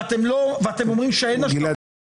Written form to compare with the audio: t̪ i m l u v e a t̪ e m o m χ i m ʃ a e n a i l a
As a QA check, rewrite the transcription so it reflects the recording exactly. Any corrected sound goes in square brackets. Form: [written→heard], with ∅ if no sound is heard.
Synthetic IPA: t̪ [i→e] m l [u→o] v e a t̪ e m o m [χ→ʁ] i m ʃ [a→e] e n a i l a